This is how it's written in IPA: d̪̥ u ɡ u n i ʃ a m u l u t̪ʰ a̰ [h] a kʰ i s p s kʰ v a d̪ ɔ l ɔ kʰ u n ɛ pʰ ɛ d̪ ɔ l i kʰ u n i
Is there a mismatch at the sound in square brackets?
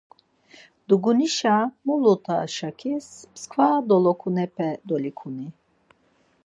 yes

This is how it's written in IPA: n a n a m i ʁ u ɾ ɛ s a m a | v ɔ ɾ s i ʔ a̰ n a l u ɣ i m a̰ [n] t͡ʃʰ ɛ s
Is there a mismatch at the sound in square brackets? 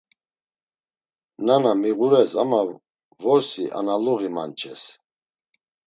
no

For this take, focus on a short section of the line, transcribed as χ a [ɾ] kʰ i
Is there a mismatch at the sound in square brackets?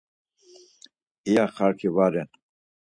no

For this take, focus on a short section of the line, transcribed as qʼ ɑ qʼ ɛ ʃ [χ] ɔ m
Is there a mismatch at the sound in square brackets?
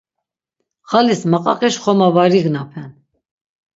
no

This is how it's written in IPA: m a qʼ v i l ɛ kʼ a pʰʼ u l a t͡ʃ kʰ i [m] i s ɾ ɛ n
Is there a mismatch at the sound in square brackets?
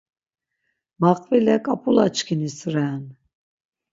yes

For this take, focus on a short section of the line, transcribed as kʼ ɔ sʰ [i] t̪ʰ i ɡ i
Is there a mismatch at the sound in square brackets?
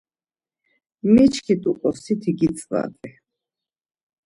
no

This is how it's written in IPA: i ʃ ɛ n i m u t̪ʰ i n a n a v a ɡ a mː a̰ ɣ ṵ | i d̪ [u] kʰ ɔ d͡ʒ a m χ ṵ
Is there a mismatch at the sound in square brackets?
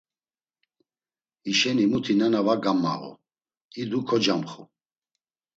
no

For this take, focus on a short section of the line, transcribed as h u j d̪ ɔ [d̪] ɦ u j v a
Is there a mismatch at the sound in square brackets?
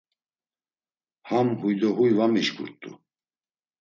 yes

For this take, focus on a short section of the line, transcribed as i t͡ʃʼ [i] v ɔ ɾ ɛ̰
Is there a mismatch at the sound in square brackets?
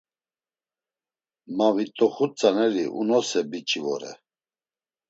no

